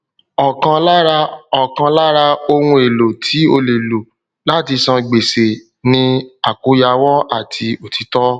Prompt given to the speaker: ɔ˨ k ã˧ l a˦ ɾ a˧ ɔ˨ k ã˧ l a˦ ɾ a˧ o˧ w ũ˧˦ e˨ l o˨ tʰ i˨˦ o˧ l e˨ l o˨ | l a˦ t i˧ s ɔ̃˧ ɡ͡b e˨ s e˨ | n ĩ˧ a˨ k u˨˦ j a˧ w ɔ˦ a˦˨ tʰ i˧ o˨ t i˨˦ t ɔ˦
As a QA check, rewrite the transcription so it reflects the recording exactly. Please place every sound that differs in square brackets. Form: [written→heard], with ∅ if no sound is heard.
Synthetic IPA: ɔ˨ k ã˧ l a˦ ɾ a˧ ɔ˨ k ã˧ l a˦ ɾ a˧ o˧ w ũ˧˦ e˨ l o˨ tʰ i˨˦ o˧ l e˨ l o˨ | l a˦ t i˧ s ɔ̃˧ ɡ͡b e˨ s e˨ | n ĩ˧ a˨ k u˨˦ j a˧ w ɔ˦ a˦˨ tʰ i˧ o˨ t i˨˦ t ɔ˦